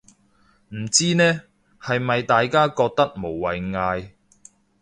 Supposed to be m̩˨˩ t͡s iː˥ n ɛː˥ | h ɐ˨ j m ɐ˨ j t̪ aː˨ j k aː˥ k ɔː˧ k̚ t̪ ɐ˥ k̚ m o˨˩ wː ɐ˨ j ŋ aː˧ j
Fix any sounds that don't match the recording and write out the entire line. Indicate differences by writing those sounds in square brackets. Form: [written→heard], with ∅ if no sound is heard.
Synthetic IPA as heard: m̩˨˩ t͡s iː˥ n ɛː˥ | h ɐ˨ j m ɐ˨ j t̪ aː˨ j k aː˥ k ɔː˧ k̚ t̪ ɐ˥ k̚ m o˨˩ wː ɐ˨ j ŋ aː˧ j